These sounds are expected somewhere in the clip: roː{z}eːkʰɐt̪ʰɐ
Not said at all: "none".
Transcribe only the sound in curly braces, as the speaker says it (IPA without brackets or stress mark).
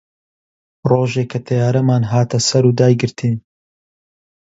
ʒ